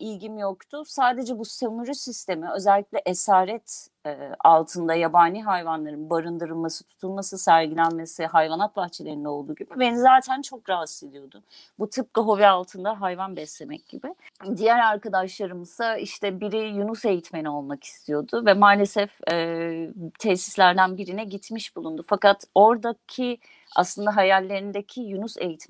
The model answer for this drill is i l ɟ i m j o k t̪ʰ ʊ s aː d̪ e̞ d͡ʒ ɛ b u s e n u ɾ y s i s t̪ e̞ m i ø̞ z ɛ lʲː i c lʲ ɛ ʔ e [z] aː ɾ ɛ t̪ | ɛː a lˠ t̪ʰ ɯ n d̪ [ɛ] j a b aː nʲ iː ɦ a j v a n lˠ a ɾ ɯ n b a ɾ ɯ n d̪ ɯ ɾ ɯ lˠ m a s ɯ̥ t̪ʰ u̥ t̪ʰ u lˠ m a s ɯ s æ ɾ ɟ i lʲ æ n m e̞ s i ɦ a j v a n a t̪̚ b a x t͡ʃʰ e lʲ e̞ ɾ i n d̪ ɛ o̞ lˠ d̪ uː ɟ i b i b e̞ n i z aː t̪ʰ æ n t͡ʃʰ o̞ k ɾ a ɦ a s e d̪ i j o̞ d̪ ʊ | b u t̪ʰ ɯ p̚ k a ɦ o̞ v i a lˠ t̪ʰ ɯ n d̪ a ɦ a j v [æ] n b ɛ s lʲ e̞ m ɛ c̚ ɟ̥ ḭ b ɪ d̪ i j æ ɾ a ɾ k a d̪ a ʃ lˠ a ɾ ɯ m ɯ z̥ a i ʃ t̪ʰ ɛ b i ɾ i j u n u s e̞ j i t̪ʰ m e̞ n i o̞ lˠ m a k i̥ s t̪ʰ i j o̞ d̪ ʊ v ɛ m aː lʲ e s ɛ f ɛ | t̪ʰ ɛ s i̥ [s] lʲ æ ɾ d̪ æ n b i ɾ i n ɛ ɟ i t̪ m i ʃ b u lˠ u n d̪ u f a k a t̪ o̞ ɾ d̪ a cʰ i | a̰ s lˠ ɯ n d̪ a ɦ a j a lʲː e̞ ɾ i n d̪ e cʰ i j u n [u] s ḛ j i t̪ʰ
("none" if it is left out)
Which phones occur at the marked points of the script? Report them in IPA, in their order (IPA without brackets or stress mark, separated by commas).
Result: s, a, a, s, u